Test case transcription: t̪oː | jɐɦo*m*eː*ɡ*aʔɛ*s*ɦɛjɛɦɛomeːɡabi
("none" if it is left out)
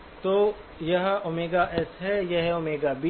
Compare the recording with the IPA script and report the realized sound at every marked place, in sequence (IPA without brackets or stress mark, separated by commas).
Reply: m, ɡ, s